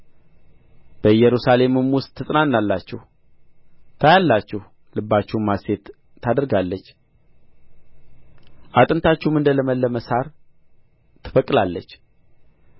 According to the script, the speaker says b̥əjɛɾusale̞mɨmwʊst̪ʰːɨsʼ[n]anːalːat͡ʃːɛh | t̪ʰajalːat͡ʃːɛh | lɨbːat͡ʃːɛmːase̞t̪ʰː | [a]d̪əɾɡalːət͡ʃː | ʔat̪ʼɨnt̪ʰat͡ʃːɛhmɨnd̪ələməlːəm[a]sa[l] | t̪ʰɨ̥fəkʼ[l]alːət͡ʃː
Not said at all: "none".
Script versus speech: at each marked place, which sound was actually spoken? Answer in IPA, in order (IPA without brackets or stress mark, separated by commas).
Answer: n, a, ə, ɾ, l